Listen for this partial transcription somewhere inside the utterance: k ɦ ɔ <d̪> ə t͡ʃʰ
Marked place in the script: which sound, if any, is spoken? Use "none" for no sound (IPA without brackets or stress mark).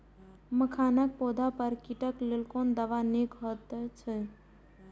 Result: t̪